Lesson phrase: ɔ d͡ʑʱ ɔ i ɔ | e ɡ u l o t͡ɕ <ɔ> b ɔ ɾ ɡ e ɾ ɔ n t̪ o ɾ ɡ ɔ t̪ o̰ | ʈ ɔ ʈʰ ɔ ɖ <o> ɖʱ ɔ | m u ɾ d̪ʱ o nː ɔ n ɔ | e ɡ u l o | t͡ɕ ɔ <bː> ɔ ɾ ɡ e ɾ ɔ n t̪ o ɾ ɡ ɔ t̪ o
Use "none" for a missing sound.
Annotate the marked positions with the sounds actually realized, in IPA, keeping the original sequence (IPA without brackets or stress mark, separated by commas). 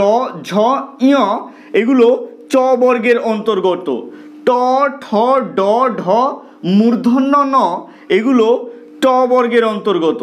ɔ, ɔ, b